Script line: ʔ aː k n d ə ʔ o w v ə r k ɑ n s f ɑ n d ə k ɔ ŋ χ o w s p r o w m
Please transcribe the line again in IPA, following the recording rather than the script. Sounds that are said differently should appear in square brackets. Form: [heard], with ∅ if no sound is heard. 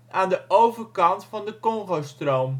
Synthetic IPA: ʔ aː [∅] n d ə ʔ o w v ə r k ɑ n [t] f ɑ n d ə k ɔ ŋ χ o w s [t] r o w m

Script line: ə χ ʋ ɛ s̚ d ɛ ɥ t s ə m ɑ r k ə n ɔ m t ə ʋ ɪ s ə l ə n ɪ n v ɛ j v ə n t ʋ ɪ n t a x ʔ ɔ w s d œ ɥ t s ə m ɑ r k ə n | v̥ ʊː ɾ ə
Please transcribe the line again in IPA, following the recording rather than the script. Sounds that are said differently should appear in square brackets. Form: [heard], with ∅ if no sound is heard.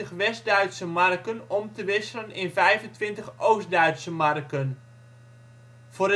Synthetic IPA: ə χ ʋ ɛ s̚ d [œ] ɥ t s ə m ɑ r k ə n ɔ m t ə ʋ ɪ s ə l ə n ɪ n v ɛ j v ə n t ʋ ɪ n t [ə] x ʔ [o] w s d œ ɥ t s ə m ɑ r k ə n | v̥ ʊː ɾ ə

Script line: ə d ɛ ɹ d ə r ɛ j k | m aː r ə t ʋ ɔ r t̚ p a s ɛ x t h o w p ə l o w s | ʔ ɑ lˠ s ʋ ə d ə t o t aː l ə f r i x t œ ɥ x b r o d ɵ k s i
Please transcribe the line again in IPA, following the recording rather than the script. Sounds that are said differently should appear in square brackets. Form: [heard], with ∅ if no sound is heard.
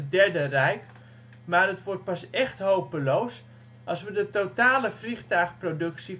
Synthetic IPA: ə d ɛ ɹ d ə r ɛ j k | m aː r ə t ʋ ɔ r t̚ p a s ɛ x t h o w p ə l o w s | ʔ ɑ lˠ s ʋ ə d ə t o t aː l ə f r i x t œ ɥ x [p] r o d ɵ k s i

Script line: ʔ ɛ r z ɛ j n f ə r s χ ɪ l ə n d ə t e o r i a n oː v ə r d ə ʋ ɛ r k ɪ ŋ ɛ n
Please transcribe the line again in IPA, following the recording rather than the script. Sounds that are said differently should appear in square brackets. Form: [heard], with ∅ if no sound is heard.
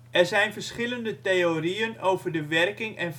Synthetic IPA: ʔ ɛ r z ɛ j n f ə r s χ ɪ l ə n d ə t e o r i [ə] n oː v ə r d ə ʋ ɛ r k ɪ ŋ ɛ n

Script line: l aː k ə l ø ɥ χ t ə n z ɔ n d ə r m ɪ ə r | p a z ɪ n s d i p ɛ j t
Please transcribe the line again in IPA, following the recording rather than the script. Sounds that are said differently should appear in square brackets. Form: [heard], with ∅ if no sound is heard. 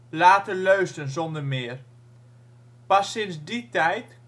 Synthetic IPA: l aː [t] ə l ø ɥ [s] t ə n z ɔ n d ə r m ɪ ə r | p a [s] ɪ n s d i [t] ɛ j t

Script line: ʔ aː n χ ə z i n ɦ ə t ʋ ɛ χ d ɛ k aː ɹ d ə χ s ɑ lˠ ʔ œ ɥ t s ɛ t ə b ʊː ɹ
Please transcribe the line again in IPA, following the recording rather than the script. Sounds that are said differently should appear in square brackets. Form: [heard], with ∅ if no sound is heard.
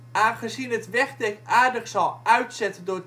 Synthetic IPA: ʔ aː n χ ə z i n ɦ ə t ʋ ɛ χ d ɛ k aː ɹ d ə χ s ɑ lˠ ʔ œ ɥ t s ɛ t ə [d] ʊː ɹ

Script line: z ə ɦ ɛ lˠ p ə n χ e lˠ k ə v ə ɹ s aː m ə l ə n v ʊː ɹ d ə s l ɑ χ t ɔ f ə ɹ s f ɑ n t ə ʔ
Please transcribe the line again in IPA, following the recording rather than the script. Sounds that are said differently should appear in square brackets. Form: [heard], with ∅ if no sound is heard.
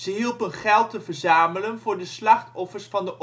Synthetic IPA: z ə ɦ [i] lˠ p ə n χ [ɛ] lˠ [t] ə v ə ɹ [z] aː m ə l ə n v ʊː ɹ d ə s l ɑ χ t ɔ f ə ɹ s f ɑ n [d] ə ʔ

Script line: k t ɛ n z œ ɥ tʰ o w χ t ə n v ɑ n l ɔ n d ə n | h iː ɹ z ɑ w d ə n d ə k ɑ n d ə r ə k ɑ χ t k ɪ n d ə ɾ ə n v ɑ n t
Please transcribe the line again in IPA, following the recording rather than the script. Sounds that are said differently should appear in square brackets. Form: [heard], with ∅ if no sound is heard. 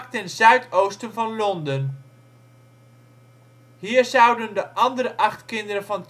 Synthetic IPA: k t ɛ n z œ ɥ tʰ o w [s] t ə n v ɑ n l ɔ n d ə n | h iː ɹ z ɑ w d ə n d ə [ʔ] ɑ n d ə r ə [ʔ] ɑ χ t k ɪ n d ə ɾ ə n v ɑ n t

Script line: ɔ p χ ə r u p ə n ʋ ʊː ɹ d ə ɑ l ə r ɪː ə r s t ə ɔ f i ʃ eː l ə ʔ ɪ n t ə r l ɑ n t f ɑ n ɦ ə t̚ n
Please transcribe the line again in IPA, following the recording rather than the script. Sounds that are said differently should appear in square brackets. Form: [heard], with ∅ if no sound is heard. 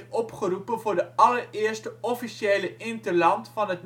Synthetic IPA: ɔ p χ ə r u p ə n [v] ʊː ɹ d ə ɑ l ə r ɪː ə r s t ə ɔ f i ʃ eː l ə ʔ ɪ n t ə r l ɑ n t f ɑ n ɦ ə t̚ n

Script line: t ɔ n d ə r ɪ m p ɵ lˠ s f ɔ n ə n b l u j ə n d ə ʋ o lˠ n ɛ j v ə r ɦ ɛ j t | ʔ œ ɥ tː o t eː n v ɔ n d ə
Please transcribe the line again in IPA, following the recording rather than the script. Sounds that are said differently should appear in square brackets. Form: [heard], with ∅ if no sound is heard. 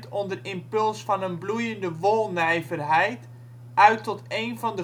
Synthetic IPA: t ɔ n d ə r ɪ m p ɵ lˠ s f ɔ n ə n b l u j ə n d ə ʋ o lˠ n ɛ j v ə r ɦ ɛ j t | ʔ œ ɥ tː [ɔ] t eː n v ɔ n d ə

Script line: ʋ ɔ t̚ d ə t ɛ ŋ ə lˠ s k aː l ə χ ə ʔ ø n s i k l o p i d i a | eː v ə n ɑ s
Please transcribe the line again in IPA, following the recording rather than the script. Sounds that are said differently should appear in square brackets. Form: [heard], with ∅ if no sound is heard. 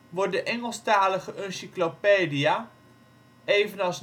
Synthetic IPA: ʋ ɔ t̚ d ə [ʔ] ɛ ŋ ə lˠ s [t] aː l ə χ ə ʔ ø n s i k l o p [e] d i a | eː v ə n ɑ s

